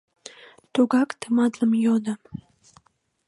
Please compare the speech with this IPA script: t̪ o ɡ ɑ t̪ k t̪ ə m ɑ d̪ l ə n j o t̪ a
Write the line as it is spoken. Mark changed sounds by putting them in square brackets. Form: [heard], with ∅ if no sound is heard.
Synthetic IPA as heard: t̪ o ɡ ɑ [∅] k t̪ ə m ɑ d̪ l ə [m] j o [d̪] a